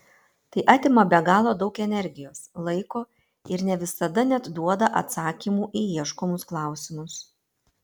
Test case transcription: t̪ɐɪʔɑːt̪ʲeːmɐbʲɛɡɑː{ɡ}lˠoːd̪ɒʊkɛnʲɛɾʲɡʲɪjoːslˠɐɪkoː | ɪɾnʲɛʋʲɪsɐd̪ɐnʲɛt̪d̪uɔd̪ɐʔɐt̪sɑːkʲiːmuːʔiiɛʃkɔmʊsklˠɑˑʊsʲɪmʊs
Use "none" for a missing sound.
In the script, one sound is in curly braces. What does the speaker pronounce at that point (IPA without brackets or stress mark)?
none